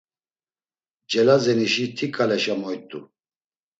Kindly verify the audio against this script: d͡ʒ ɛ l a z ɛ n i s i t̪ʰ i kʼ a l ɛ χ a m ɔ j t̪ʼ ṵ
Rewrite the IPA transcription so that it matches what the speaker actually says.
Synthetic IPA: d͡ʒ ɛ l a z ɛ n i ʃ i t̪ʰ i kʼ a l ɛ ʃ a m ɔ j t̪ʼ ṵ

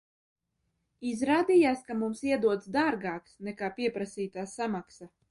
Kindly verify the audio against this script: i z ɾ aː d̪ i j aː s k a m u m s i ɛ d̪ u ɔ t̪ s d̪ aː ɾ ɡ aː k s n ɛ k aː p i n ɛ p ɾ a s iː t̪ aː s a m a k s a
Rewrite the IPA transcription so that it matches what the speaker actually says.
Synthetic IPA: i z ɾ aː d̪ i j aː s k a m u m s i ɛ d̪ u ɔ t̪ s d̪ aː ɾ ɡ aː k s n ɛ k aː p i ɛ p ɾ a s iː t̪ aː s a m a k s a

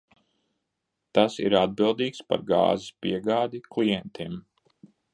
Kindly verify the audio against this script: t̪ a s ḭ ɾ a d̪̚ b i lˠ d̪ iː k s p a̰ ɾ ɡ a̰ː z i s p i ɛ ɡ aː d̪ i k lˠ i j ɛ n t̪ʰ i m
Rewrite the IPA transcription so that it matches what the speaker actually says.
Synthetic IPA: t̪ a s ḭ ɾ a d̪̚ b i lˠ d̪ iː k s p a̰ ɾ ɡ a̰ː z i s p i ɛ ɡ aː d̪ i k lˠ i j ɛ n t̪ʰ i m

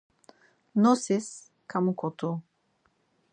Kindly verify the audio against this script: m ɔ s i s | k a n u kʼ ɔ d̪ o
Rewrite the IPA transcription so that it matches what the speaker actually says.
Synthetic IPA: n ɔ s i s | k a m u k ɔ t̪ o

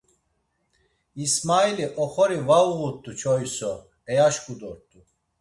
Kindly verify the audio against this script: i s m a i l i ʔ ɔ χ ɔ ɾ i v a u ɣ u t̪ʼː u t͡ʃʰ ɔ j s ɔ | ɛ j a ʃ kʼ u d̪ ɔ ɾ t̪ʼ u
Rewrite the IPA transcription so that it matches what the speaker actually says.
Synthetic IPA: i s m a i l i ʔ ɔ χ ɔ ɾ i v a u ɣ u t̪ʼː u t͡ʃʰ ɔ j s ɔ | ɛ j a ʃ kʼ u d̪ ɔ ɾ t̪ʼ u

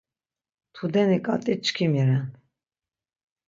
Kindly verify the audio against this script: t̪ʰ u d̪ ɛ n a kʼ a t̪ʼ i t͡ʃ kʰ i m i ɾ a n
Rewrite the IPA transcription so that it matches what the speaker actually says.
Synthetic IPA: t̪ʰ u d̪ ɛ n i kʼ a t̪ʼ i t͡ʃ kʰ i m i ɾ ɛ n

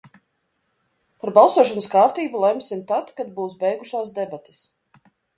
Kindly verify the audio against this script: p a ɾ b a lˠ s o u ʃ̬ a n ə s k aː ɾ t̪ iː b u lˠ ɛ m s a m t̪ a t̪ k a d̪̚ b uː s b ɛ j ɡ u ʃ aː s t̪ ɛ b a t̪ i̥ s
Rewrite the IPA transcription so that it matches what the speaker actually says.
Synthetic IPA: p a ɾ b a lˠ s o ɔ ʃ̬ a n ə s k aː ɾ t̪ iː b u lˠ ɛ m s i m t̪ a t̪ k a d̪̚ b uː s b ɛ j ɡ u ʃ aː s d̪ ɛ b a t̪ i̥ s

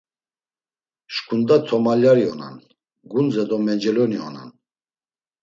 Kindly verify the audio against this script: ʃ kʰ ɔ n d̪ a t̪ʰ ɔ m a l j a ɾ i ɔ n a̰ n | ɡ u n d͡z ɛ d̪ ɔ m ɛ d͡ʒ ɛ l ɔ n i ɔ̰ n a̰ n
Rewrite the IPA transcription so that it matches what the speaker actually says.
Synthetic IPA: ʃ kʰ u n d̪ a t̪ʰ ɔ m a l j a ɾ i ɔ n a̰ n | ɡ u n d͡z ɛ d̪ ɔ m ɛ d͡ʒ ɛ l ɔ n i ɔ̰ n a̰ n

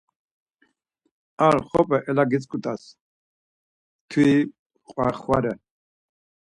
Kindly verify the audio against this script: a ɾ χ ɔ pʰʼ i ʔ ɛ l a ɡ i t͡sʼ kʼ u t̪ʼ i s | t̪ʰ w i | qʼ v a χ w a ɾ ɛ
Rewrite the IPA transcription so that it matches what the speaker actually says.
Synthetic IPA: a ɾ χ ɔ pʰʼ ɛ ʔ ɛ l a ɡ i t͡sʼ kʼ u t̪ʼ a s | t̪ʰ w i | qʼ w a χ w a ɾ ɛ

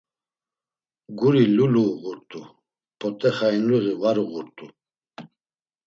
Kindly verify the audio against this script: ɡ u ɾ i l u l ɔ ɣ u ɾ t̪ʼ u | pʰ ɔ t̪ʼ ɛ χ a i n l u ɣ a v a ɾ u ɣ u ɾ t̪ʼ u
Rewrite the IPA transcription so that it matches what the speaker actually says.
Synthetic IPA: ɡ u ɾ i l u l u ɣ u ɾ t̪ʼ u | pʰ ɔ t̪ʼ ɛ χ a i n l u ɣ i v a ɾ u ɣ u ɾ t̪ʼ u

